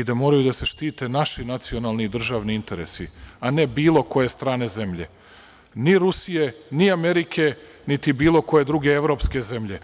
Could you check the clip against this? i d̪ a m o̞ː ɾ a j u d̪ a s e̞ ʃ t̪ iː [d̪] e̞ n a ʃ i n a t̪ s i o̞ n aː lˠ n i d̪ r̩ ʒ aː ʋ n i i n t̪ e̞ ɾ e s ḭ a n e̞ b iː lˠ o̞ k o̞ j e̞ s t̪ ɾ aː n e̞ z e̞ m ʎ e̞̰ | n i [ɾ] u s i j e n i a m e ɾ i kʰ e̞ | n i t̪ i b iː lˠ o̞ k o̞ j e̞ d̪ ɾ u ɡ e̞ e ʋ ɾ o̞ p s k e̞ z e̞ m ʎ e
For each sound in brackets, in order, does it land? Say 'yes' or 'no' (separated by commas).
no, yes